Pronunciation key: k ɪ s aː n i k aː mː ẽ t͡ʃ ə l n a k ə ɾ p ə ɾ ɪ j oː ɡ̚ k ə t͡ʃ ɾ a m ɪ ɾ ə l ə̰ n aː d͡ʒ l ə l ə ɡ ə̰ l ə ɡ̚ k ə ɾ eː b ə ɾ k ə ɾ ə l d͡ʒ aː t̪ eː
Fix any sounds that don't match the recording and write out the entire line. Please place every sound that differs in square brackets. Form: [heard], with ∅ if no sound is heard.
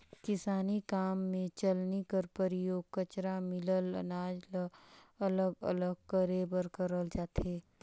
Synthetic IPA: k ɪ s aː n i k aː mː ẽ t͡ʃ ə l n [i] k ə ɾ p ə ɾ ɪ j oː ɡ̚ k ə t͡ʃ ɾ a m ɪ [l] ə l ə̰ n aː d͡ʒ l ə l ə ɡ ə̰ l ə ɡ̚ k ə ɾ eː b ə ɾ k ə ɾ ə l d͡ʒ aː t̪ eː